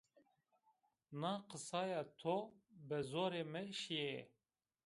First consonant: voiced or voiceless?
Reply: voiced